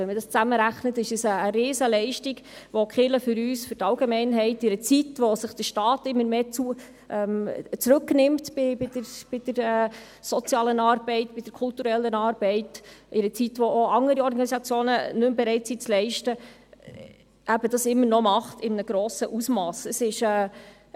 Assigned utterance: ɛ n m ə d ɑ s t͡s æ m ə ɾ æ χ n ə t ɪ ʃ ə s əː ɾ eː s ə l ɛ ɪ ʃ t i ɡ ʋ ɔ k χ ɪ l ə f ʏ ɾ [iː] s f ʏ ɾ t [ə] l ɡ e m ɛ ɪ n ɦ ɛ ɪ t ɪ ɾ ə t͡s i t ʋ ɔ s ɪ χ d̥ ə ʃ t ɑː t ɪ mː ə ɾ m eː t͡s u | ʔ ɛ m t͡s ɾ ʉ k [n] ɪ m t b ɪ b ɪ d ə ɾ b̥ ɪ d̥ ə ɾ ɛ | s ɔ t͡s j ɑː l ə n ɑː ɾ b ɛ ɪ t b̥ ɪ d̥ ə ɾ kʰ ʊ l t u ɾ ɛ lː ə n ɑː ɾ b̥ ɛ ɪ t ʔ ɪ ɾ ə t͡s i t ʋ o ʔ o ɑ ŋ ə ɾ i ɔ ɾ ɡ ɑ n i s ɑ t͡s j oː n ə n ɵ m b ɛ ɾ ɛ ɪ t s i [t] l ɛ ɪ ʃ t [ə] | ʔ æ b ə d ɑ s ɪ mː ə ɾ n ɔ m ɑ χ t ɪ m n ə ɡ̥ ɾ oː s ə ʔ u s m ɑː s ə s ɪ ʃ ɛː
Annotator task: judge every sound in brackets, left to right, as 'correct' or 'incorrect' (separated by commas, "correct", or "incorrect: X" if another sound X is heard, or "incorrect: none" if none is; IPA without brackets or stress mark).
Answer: incorrect: yː, incorrect: ɑ, correct, incorrect: t͡s, correct